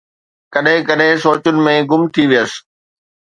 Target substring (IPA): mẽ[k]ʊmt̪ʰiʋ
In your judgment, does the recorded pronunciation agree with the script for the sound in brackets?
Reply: no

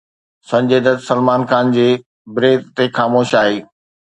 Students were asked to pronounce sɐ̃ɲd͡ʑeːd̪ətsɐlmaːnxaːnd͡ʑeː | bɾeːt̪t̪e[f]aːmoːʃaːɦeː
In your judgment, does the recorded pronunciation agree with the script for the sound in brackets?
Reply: no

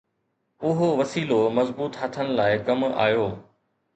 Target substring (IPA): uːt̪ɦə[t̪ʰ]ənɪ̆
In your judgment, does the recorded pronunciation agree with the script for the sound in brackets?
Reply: yes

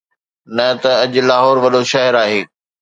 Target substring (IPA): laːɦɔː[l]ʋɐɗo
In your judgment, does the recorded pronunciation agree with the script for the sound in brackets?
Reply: no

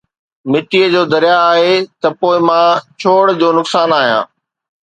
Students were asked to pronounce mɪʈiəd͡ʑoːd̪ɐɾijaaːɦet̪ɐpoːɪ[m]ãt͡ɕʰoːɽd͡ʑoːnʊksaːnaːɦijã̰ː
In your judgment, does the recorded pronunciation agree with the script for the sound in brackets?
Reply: yes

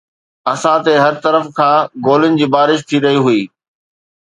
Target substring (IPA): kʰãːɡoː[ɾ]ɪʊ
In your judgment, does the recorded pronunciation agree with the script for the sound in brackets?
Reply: no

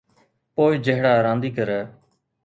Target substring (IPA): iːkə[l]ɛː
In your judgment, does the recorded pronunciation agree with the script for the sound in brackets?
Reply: no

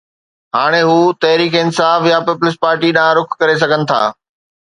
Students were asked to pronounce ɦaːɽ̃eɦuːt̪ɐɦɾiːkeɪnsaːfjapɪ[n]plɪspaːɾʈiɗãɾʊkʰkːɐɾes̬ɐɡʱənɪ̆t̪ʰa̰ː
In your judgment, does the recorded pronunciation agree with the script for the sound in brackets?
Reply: no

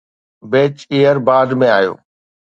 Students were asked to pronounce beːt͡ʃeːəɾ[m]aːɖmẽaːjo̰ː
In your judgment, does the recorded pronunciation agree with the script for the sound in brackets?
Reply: no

